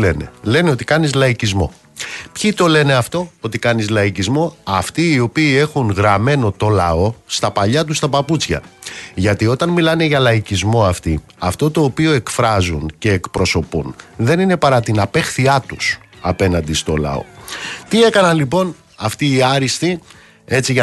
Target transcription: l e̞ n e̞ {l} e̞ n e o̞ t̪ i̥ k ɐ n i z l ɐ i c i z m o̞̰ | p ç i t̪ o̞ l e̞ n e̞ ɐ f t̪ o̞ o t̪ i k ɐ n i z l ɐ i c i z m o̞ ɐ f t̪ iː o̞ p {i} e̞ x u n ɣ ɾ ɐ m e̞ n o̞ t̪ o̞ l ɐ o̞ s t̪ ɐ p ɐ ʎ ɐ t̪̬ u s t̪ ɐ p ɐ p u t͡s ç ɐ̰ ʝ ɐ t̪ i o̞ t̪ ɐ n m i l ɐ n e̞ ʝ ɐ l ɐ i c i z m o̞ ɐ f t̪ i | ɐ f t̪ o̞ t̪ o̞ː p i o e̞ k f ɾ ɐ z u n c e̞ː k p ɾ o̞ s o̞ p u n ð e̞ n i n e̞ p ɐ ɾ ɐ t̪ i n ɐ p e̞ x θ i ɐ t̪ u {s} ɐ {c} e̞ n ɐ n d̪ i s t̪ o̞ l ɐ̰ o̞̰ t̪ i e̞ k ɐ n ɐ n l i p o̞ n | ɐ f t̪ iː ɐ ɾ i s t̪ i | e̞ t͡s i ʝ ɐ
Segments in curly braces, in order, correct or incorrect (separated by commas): correct, incorrect, correct, incorrect